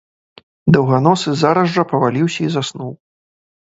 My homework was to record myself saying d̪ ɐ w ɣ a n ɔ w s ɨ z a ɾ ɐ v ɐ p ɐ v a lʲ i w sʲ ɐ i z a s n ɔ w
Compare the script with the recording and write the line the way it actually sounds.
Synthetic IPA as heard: d̪ ɐ w ɣ a n ɔ s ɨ z a ɾ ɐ z ɐ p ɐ v a lʲ i w sʲ ɐ i z a s n u w